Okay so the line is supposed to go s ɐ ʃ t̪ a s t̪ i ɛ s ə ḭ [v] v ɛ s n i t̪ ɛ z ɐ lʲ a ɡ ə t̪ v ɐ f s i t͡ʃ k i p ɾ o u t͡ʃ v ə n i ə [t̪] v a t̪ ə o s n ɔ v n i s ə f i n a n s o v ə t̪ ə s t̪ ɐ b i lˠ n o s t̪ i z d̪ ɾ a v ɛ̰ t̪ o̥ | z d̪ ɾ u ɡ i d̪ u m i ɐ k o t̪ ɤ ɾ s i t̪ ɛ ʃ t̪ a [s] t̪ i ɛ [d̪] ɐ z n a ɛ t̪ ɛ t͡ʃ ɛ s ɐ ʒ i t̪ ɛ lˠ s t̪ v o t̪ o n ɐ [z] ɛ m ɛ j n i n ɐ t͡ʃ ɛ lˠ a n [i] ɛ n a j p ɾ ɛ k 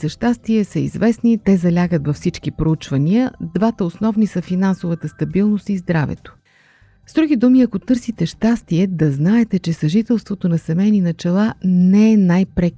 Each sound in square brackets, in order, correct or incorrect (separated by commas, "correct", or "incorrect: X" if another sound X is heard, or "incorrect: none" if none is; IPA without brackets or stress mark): incorrect: z, incorrect: d̪, correct, correct, incorrect: s, incorrect: ɛ